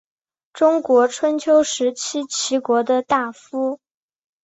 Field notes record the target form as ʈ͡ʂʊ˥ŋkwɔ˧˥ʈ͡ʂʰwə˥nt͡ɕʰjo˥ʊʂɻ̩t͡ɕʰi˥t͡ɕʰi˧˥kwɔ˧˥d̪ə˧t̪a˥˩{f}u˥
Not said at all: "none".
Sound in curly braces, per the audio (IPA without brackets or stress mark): f